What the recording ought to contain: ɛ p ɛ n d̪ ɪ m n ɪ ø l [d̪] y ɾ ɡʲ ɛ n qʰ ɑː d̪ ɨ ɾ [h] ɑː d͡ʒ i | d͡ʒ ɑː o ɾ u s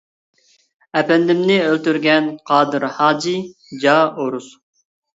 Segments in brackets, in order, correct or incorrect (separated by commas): incorrect, correct